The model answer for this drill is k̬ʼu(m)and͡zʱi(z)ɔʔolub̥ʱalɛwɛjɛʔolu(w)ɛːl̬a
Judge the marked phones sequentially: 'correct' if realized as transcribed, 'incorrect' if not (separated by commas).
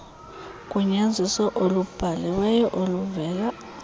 incorrect, incorrect, incorrect